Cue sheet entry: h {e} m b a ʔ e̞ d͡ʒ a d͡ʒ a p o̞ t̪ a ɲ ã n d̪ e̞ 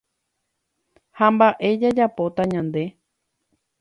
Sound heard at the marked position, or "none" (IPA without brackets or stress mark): a